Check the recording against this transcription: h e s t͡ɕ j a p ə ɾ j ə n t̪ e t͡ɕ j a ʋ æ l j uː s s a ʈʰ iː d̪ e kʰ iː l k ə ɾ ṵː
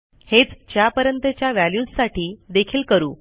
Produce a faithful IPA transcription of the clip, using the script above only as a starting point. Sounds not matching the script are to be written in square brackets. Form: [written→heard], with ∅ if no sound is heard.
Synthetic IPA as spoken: h e [s→t͡s] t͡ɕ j a p ə ɾ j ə n t̪ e t͡ɕ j a ʋ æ l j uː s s a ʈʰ iː d̪ e kʰ iː l k ə ɾ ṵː

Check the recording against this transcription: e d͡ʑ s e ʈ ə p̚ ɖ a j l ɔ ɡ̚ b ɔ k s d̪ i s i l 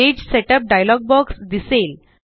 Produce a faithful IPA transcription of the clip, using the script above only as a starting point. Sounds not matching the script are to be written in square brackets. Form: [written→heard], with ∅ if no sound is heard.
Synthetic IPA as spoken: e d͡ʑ s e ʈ ə p̚ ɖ a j l ɔ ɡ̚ b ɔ k s d̪ i s [i→e] l

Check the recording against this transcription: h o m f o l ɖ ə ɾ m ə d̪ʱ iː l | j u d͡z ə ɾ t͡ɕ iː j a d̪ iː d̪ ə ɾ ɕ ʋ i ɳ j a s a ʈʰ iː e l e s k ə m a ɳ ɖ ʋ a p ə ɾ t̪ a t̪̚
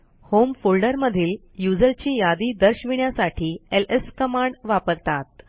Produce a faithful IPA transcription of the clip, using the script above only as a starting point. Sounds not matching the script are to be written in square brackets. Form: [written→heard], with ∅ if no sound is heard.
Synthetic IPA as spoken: h o m f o l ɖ ə ɾ m ə d̪ʱ iː l | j u d͡z ə ɾ t͡ɕ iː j a d̪ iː d̪ ə ɾ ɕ ʋ i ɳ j a s a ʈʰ iː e l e s k ə m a ɳ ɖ ʋ a p ə ɾ t̪ a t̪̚

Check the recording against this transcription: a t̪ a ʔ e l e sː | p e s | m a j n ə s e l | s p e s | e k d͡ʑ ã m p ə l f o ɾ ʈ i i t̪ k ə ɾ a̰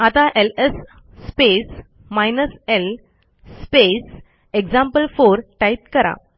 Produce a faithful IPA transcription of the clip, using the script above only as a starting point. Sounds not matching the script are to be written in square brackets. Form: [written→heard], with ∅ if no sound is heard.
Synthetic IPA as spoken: a t̪ a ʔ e l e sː | p e s | m a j n ə s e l | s p e s | e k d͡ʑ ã m p ə l f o ɾ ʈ [i→a] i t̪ k ə ɾ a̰

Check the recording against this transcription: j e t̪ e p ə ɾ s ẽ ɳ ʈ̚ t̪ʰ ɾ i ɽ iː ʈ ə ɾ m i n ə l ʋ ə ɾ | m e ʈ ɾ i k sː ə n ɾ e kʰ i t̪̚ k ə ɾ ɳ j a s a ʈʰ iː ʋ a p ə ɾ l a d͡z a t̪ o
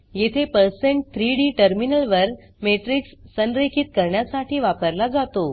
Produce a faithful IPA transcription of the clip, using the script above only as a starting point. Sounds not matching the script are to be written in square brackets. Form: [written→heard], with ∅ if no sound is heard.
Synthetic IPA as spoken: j e [t̪→t̪ʰ] e p ə ɾ s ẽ ɳ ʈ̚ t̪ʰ ɾ i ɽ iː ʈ ə ɾ m i n ə l ʋ ə ɾ | m e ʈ ɾ i k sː ə n ɾ e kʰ i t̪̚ k ə ɾ ɳ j a s a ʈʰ iː ʋ a p ə ɾ l a d͡z a t̪ o

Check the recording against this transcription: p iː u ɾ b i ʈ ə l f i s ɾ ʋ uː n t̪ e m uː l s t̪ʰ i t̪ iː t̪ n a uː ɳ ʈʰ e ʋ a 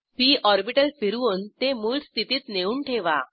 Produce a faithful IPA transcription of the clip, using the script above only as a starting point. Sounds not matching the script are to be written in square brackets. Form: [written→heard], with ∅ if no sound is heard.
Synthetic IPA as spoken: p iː [u→ɔ] ɾ b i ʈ ə l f i [s→∅] ɾ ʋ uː n t̪ e m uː l s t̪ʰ i t̪ iː t̪ n [a→e] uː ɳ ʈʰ e ʋ a

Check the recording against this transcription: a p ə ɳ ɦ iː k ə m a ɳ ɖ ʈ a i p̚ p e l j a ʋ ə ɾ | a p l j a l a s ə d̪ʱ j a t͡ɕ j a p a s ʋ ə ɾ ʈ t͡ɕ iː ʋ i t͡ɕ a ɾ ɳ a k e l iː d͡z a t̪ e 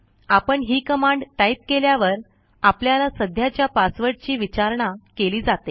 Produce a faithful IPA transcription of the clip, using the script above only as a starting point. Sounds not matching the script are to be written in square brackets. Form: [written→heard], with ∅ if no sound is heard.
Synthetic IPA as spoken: a p ə ɳ ɦ iː k ə m a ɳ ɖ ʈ a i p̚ [p→k] e l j a ʋ ə ɾ | a p l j a l a s ə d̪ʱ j a t͡ɕ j a p a s ʋ ə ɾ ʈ t͡ɕ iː ʋ i t͡ɕ a ɾ ɳ a k e l iː d͡z a t̪ e

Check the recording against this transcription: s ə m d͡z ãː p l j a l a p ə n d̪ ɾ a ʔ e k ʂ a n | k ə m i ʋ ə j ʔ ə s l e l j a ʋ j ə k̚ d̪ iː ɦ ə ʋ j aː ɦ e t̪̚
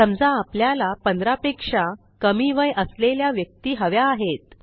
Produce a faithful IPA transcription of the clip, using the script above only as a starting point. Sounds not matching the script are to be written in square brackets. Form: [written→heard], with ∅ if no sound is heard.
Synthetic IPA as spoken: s ə m d͡z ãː p l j a l a p ə n d̪ ɾ a [ʔ→p] e k ʂ a [n→∅] | k ə m i ʋ ə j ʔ ə s l e l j a ʋ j ə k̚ [d̪→t̪] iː ɦ ə ʋ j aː ɦ e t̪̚

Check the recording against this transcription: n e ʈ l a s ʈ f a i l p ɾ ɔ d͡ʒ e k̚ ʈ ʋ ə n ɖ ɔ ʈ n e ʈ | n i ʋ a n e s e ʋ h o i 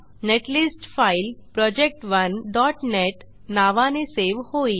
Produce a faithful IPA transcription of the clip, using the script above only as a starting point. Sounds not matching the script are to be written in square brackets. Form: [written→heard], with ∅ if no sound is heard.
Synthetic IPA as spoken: n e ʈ l [a→i] s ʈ f a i l p ɾ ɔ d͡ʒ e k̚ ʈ ʋ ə n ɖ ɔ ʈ n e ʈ | n [i→a] ʋ a n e s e ʋ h o i

